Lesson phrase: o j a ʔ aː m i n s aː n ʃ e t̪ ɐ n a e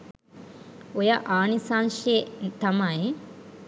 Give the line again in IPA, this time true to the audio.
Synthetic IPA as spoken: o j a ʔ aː n i s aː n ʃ e t̪ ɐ m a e